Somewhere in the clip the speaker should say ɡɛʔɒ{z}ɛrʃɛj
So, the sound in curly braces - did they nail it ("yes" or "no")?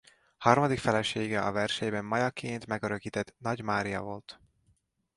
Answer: no